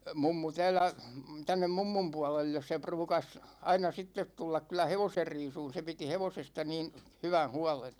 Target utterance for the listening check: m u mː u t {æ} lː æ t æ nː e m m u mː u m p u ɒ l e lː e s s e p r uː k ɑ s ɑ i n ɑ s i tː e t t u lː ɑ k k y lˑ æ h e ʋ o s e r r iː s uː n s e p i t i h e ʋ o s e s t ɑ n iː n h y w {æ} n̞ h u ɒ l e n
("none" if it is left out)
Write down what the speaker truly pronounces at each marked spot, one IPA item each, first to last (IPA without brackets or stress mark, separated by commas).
æː, æ